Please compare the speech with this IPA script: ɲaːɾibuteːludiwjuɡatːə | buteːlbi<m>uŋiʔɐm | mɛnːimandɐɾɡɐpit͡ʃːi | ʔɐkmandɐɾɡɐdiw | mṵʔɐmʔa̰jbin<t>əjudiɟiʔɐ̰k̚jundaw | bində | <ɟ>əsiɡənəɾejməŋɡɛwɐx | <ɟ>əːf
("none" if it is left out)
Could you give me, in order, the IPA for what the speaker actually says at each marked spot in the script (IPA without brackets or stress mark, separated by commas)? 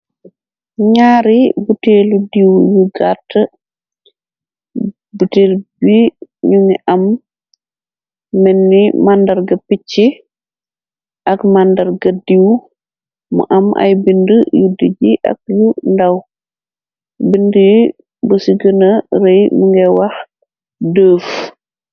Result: ɲ, d, b, d